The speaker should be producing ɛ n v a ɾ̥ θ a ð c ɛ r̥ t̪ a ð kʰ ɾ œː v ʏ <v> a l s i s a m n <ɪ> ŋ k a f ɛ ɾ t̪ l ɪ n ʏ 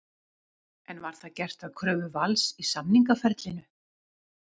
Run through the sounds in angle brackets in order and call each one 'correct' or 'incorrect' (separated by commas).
correct, incorrect